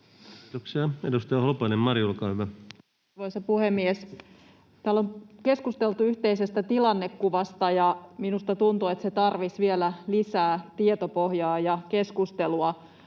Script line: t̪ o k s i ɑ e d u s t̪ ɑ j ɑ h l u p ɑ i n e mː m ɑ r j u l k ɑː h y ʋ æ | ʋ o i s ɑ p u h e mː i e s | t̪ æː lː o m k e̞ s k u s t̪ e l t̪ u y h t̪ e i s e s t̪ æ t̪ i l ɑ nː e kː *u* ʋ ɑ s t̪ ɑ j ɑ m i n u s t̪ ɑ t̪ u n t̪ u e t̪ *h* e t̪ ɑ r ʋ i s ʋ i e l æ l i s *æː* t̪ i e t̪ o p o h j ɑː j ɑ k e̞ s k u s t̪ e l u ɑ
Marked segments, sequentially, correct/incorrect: correct, incorrect, correct

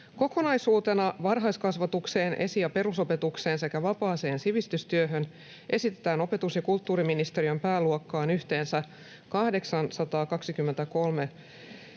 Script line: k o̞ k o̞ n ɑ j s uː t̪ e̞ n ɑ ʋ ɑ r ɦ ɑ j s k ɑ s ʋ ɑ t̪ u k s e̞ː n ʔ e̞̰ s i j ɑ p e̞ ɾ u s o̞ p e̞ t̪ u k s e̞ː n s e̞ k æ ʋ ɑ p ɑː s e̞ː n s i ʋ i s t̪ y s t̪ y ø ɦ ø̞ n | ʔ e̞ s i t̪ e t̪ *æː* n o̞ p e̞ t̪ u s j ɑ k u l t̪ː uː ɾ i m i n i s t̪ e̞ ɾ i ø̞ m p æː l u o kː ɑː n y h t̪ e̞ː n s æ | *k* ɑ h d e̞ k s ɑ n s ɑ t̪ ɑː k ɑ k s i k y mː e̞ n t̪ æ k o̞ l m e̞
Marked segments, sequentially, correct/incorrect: correct, correct

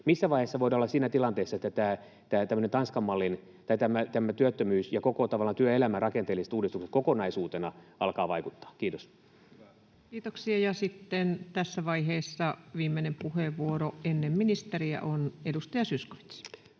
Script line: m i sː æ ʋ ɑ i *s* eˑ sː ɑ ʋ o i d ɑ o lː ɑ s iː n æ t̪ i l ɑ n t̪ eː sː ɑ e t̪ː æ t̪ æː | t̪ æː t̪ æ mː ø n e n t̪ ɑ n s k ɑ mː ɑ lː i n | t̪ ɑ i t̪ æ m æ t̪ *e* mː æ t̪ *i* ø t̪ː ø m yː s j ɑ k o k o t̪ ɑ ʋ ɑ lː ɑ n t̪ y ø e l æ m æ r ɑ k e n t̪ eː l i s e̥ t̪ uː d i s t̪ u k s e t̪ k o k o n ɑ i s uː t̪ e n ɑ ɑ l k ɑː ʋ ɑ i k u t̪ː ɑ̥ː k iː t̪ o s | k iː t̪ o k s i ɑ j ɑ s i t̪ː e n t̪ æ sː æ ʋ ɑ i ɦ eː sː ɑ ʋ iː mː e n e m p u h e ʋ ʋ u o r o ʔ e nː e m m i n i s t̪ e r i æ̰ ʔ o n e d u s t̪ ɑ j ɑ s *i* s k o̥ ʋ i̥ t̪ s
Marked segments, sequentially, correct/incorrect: incorrect, incorrect, incorrect, incorrect

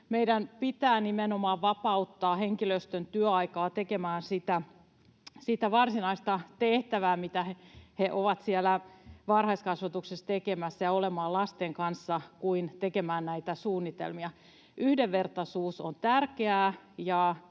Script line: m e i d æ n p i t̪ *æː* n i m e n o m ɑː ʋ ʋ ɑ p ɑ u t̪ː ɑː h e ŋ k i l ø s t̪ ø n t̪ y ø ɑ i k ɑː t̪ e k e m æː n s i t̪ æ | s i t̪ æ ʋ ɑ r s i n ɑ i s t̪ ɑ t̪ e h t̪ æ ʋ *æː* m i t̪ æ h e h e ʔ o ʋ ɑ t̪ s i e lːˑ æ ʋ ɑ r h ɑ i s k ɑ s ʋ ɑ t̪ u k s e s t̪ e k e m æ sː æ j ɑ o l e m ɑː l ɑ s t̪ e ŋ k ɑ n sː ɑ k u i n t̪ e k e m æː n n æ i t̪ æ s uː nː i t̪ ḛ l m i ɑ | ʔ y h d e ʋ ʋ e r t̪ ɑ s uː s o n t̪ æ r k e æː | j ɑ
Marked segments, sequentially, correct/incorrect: correct, correct

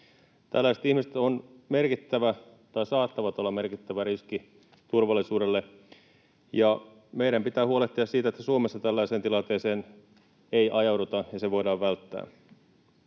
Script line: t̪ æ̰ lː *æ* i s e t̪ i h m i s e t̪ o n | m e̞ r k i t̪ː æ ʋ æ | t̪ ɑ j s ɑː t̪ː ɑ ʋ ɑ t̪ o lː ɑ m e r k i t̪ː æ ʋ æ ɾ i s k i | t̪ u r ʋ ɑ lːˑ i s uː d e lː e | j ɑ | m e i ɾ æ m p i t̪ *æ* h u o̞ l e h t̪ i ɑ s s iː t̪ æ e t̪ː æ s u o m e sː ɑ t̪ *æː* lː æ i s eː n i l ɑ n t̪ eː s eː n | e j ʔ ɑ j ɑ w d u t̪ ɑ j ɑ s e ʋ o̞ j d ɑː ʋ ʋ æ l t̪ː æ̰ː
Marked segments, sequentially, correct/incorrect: correct, incorrect, incorrect

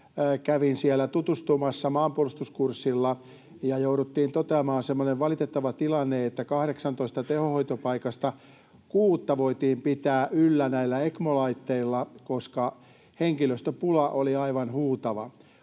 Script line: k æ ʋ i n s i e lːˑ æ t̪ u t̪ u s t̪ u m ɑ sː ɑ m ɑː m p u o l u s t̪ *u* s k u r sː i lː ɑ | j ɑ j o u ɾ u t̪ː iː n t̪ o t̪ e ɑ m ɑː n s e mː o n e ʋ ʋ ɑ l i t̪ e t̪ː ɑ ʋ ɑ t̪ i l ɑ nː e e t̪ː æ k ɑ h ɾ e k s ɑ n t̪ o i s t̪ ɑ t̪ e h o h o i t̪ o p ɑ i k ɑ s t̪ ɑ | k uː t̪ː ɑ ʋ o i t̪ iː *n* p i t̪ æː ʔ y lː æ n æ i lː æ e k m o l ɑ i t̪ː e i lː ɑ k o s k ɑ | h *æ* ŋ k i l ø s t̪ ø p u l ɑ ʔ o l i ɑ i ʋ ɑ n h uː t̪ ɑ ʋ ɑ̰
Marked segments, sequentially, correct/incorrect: correct, incorrect, incorrect

